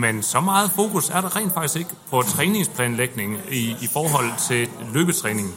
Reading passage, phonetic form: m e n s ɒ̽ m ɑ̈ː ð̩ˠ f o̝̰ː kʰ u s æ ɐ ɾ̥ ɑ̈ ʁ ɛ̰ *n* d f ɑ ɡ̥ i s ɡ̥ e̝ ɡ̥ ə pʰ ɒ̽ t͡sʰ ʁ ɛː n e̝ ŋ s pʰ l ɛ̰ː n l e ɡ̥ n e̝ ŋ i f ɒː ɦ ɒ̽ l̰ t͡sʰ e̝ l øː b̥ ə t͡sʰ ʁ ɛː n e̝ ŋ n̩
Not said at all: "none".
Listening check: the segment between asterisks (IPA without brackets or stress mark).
n